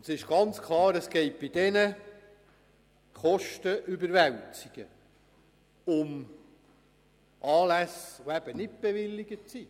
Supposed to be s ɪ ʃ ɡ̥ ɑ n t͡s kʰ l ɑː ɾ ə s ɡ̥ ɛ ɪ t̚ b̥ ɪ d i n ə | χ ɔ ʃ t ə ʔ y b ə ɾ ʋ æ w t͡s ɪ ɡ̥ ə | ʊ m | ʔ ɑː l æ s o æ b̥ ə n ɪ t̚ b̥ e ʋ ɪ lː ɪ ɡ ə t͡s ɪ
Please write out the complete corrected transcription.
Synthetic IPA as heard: s ɪ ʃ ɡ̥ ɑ n t͡s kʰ l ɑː ɾ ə s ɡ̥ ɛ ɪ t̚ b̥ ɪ d ɛ n ə | χ ɔ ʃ t ə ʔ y b ə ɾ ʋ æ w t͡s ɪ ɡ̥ ə | ʊ m | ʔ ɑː l æ s o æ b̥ ə n ɪ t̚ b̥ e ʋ ɪ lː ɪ ɡ ə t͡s i